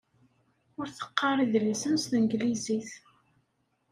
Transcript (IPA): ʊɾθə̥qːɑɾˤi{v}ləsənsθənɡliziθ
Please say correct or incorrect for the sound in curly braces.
incorrect